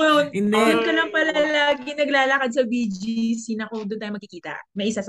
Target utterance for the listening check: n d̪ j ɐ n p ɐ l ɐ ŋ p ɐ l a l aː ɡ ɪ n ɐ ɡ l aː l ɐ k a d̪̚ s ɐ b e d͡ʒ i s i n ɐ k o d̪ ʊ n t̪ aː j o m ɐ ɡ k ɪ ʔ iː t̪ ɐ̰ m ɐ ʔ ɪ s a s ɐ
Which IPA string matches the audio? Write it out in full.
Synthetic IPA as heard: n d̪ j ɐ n k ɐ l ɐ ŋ p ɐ l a l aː ɡ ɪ n ɐ ɡ l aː l ɐ k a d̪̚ s ɐ b i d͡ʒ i s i n ɐ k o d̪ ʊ n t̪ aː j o m ɐ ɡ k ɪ k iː t̪ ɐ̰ m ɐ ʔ ɪ s a s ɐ